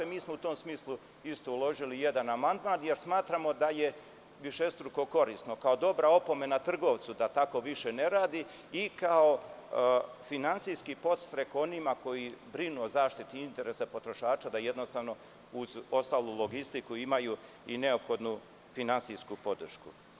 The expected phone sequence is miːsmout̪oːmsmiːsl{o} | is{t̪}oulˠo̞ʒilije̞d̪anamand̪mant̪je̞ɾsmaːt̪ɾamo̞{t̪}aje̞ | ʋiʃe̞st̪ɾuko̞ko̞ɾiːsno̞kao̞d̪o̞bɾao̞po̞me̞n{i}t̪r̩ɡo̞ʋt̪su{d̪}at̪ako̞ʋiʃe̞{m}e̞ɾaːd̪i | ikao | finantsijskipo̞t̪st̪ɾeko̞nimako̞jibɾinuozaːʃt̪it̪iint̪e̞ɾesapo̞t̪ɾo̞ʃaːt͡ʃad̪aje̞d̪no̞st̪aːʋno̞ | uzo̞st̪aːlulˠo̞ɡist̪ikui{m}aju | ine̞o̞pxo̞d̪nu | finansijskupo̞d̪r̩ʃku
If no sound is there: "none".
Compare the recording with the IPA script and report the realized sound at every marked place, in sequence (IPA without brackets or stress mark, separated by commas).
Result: u, t̪, d̪, a, d̪, n, m